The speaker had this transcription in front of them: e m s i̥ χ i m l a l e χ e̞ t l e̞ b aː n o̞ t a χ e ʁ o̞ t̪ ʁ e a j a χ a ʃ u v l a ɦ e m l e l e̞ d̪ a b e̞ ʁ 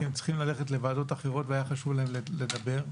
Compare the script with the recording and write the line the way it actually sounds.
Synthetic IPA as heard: e m t͡s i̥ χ i m l a l e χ e̞ t l e̞ v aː d o̞ t a χ e ʁ o̞ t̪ v e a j a χ a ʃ u v l a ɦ e m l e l e̞ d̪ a b e̞ ʁ